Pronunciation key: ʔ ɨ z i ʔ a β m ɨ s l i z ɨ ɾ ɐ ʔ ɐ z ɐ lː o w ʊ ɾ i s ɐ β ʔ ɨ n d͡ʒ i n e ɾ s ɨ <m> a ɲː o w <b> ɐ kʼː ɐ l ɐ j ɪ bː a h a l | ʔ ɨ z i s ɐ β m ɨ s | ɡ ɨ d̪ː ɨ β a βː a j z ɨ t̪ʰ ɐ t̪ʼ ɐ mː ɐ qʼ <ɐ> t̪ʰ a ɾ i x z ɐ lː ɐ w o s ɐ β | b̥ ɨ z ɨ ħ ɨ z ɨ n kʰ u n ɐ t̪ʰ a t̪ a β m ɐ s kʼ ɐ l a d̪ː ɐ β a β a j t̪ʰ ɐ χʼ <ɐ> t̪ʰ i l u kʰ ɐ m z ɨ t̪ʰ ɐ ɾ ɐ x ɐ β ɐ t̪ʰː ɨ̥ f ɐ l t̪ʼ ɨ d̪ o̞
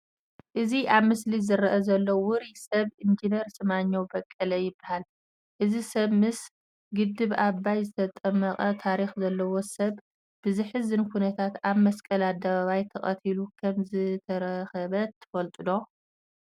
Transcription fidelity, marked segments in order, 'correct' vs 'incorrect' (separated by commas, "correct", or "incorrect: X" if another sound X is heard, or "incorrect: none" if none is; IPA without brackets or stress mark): correct, correct, correct, correct